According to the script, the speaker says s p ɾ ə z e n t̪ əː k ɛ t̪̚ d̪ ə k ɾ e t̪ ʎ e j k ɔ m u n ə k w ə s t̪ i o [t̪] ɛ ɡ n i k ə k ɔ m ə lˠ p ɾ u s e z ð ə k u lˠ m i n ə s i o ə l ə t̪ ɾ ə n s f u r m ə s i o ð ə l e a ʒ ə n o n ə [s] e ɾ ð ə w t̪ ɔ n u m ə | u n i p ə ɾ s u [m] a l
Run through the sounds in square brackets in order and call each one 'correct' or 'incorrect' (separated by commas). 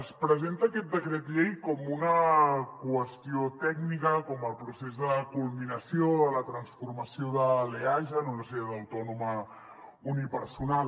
correct, correct, incorrect